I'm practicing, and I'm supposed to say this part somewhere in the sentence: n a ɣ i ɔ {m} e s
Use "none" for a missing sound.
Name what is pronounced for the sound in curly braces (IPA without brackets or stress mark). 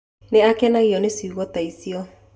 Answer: n